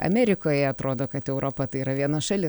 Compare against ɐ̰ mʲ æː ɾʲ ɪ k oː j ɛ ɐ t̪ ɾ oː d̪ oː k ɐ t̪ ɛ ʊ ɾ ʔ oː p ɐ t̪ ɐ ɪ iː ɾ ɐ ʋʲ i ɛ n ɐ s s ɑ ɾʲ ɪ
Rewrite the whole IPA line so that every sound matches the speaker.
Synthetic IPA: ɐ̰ mʲ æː ɾʲ ɪ k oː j ɛ ɐ t̪ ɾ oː d̪ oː k ɐ t̪ ɛ ʊ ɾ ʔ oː p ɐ t̪ ɐ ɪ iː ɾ ɐ ʋʲ i ɛ n ɐ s ʃ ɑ lʲ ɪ